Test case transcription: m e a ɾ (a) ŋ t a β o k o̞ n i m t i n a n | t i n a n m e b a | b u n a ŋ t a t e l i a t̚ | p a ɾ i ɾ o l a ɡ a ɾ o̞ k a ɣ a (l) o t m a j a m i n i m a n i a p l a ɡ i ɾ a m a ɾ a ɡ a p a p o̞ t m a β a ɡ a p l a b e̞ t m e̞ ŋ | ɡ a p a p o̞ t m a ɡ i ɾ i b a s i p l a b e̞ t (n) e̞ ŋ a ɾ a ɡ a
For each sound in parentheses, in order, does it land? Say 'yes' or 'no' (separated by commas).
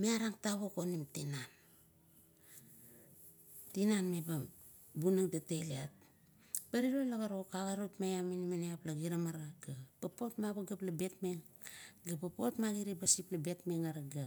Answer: yes, no, no